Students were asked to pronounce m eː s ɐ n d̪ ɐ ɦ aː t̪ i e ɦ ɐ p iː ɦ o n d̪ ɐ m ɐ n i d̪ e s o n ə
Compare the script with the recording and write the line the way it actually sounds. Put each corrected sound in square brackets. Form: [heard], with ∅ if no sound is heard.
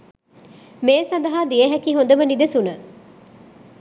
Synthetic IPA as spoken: m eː s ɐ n d̪ ɐ ɦ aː [d̪] i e ɦ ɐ [k] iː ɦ o n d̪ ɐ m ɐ n i d̪ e s [u] n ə